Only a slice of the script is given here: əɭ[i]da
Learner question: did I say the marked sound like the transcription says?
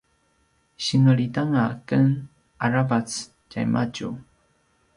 yes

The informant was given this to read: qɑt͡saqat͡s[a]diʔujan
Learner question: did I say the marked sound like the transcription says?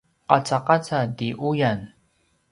yes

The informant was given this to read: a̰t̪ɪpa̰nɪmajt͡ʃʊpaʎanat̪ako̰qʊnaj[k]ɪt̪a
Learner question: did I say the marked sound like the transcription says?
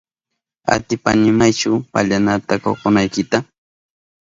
yes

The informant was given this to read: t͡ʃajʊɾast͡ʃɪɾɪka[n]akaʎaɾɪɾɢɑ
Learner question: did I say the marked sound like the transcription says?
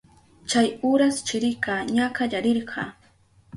no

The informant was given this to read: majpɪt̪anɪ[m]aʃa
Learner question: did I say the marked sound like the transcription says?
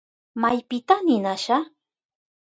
no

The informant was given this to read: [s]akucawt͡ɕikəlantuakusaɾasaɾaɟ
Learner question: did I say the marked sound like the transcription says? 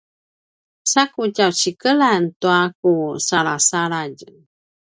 yes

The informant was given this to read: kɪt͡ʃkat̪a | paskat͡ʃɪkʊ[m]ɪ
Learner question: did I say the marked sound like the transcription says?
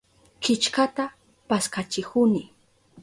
no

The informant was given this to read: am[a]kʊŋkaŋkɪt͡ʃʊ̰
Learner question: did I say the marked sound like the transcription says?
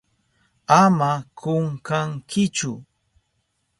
yes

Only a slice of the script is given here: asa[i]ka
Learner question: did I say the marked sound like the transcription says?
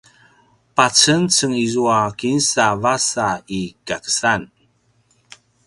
yes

